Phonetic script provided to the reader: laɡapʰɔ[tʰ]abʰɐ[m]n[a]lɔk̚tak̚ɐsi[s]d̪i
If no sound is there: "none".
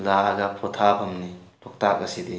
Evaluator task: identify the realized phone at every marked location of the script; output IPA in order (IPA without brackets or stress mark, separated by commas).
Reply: tʰ, m, i, none